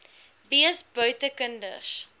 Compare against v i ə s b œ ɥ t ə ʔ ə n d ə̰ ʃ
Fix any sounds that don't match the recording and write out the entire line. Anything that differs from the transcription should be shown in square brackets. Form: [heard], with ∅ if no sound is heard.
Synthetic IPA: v i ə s b œ ɥ t ə [k] ə n d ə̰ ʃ